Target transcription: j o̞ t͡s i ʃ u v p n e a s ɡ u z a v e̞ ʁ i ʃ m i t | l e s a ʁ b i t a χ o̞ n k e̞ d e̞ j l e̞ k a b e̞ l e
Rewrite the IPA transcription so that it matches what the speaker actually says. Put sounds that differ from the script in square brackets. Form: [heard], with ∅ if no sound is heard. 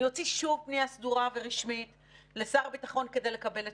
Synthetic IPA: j o̞ t͡s i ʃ u v p n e a s [d] u [ʁ] a v e̞ ʁ i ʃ m i t | l e s a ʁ b i t a χ o̞ n k e̞ d e̞ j l e̞ k a b e̞ l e